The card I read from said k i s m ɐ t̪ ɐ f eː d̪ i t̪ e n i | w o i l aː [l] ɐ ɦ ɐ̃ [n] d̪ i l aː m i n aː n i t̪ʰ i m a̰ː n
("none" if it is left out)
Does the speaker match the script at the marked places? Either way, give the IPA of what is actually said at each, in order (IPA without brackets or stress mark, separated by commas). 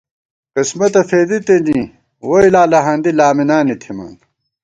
l, n